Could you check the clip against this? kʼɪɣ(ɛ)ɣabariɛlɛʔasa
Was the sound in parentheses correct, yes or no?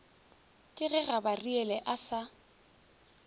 yes